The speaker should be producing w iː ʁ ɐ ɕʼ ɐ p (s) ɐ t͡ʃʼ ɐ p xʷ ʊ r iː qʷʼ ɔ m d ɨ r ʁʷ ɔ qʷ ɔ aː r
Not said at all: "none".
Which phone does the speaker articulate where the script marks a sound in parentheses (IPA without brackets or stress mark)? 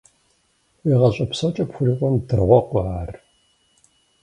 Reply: s